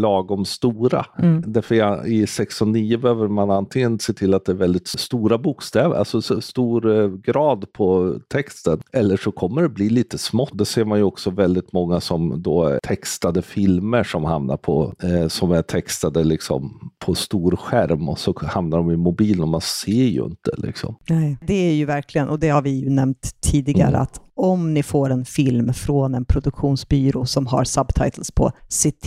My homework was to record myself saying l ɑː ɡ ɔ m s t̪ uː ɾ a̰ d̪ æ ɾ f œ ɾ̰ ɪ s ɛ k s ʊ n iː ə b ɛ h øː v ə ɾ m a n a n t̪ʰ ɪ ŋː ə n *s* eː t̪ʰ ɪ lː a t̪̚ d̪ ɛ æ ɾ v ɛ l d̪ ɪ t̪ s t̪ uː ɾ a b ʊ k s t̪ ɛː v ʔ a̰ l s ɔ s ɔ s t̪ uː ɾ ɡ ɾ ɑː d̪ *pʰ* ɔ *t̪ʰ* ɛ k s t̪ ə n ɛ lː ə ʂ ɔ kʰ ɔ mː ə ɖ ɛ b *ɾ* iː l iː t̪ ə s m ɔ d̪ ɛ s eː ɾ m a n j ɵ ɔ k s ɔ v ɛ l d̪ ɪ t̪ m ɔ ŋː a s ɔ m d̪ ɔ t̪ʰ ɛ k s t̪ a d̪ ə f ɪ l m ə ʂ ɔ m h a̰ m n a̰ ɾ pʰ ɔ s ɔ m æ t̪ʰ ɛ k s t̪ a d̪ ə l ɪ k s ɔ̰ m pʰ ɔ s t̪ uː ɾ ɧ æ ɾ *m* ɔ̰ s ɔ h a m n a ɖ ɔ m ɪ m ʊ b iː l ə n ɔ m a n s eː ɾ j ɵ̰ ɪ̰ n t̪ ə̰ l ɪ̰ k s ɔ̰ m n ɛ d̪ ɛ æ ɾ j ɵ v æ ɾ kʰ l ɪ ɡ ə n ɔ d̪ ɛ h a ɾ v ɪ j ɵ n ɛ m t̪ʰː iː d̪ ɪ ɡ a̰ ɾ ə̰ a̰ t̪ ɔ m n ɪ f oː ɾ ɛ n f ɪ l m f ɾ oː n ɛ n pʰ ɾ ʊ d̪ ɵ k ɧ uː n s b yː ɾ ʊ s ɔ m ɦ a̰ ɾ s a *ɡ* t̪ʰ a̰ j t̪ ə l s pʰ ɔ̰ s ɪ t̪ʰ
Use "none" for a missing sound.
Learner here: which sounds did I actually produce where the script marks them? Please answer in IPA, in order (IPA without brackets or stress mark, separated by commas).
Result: s, pʰ, t̪ʰ, l, m, b